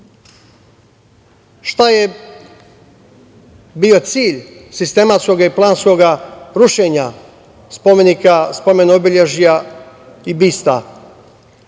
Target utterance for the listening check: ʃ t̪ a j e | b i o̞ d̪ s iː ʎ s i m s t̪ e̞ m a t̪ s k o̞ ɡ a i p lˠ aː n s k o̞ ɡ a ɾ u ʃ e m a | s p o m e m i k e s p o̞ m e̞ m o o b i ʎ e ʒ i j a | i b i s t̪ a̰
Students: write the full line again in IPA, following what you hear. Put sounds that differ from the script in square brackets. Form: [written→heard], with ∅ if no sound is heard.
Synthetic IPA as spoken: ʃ t̪ a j e | b i o̞ [d̪→t̪] s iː ʎ s i [m→∅] s t̪ e̞ m a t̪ s k o̞ ɡ a i p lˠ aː n s k o̞ ɡ a ɾ u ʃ e [m→ɲ] a | s p o m e [m→n] i k [e→a] s p o̞ m e̞ [m→n] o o b i ʎ e ʒ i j a | i b i s t̪ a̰

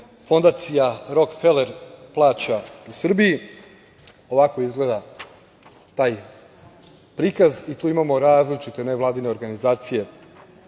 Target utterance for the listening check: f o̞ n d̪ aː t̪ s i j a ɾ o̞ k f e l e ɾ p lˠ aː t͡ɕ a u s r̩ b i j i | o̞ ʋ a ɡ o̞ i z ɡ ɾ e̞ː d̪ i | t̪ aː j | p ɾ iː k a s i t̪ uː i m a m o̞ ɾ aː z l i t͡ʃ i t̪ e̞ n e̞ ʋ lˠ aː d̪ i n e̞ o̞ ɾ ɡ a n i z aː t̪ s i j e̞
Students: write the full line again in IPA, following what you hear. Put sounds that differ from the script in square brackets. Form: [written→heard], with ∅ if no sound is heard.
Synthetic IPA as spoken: f o̞ n d̪ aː t̪ s i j a ɾ o̞ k f e l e ɾ p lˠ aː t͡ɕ a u s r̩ b i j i | o̞ ʋ a [ɡ→k] o̞ i z ɡ [ɾ→l] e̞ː d̪ [i→a] | t̪ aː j | p ɾ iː k a [s→z] i t̪ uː i m a m o̞ ɾ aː z l i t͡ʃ i t̪ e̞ n e̞ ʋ lˠ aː d̪ i n e̞ o̞ ɾ ɡ a n i z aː t̪ s i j e̞

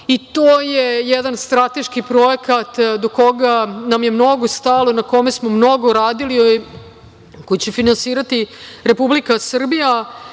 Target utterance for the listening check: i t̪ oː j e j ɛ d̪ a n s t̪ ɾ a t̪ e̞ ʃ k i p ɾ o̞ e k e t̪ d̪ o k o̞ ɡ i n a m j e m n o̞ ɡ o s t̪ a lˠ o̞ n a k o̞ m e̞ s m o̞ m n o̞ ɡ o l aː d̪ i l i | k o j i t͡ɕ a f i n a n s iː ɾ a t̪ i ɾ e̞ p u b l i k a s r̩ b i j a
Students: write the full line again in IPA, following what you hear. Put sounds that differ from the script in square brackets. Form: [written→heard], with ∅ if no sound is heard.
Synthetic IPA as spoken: i t̪ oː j e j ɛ d̪ a n s t̪ ɾ a t̪ e̞ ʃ k i p ɾ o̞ e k [e→a] t̪ d̪ o k o̞ ɡ [i→a] n a m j e m n o̞ ɡ o s t̪ a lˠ o̞ n a k o̞ m e̞ s m o̞ m n o̞ ɡ o [l→ɾ] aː d̪ i l i | k o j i t͡ɕ [a→e] f i n a n s iː ɾ a t̪ i ɾ e̞ p u b l i k a s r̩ b i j a

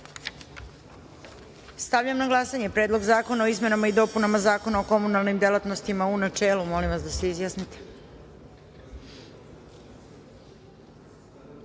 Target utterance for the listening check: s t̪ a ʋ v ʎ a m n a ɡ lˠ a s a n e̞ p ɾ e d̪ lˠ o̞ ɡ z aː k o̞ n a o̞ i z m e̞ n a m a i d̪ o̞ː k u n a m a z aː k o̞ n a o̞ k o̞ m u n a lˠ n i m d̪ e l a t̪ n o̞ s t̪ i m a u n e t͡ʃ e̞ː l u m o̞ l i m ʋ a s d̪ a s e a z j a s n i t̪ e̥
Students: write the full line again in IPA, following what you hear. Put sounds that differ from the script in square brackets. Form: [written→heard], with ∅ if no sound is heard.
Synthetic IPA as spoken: s t̪ a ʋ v ʎ a m n a ɡ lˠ a s a [n→ɲ] e̞ p ɾ e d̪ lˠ o̞ ɡ z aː k o̞ n a o̞ i z m e̞ n a m a i d̪ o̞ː [k→p] u n a m a z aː k o̞ n a o̞ k o̞ m u n a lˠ n i m d̪ e l a t̪ n o̞ s t̪ i m a u n [e→a] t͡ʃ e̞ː l u m o̞ l i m ʋ a s d̪ a s e [a→i] z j a s n i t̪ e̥

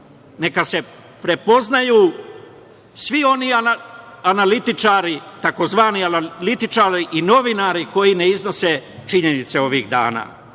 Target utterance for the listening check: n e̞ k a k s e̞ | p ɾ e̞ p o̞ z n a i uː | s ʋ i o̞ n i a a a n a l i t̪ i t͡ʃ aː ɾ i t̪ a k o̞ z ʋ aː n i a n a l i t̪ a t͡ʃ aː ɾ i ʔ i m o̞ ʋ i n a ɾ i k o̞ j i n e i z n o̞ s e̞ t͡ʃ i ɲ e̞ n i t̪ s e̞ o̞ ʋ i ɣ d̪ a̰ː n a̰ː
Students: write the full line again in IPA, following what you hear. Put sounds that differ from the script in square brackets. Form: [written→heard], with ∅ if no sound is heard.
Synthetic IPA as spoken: n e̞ k a [k→∅] s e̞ | p ɾ e̞ p o̞ z n a [i→j] uː | s ʋ i o̞ n i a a a n a l i t̪ i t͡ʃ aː ɾ i t̪ a k o̞ z ʋ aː n i a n a l i t̪ [a→i] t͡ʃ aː ɾ i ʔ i [m→n] o̞ ʋ i n a ɾ i k o̞ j i n e i z n o̞ s e̞ t͡ʃ i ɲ e̞ n i t̪ s e̞ o̞ ʋ i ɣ d̪ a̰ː n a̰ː

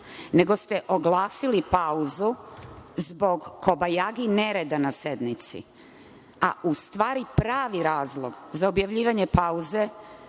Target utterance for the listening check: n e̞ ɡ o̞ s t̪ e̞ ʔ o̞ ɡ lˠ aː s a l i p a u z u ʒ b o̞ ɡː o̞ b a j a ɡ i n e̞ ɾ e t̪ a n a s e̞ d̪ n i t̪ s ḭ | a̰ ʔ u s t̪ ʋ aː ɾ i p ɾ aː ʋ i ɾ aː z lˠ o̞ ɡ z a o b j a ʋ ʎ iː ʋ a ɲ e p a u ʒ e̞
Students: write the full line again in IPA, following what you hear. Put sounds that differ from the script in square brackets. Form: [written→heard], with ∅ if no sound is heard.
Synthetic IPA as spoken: n e̞ ɡ o̞ s t̪ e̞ ʔ o̞ ɡ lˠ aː s [a→i] l i p a u z u [ʒ→z] b o̞ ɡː o̞ b a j a ɡ i n e̞ ɾ e [t̪→d̪] a n a s e̞ d̪ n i t̪ s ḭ | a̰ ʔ u s t̪ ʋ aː ɾ i p ɾ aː ʋ i ɾ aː z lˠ o̞ ɡ z a o b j a ʋ ʎ iː ʋ a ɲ e p a u [ʒ→z] e̞

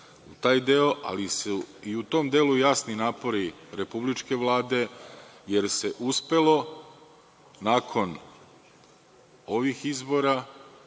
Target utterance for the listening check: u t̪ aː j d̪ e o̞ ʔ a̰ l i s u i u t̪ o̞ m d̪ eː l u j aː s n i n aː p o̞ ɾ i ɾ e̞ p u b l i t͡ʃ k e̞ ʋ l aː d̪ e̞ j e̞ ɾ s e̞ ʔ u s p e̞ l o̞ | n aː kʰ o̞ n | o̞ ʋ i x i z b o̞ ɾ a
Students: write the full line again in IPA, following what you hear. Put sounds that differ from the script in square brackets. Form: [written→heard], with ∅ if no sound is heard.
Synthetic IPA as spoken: u t̪ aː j d̪ e o̞ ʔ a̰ l i s u i u t̪ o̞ m d̪ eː l u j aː s n i n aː p o̞ ɾ i ɾ e̞ p u b l i t͡ʃ k e̞ ʋ l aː d̪ e̞ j e̞ ɾ s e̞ ʔ u s p e̞ l o̞ | n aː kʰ o̞ n | o̞ ʋ i x i z b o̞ ɾ a

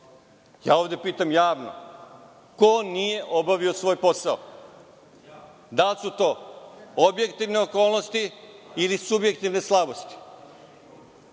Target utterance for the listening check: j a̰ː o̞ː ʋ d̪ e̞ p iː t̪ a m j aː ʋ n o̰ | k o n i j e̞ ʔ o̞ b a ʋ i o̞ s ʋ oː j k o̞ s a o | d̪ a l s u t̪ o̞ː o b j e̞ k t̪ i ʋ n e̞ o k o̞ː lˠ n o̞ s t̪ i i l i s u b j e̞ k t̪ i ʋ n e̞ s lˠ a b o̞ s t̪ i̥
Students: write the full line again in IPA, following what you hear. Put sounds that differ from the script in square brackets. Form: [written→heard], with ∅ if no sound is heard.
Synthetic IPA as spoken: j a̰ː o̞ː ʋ d̪ e̞ p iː t̪ a m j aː ʋ n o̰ | k o n i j e̞ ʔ o̞ b a ʋ i o̞ s ʋ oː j [k→p] o̞ s a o | d̪ a l s u t̪ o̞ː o b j e̞ k t̪ i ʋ n e̞ o k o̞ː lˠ n o̞ s t̪ i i l i s u b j e̞ k t̪ i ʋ n e̞ s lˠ a b o̞ s t̪ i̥

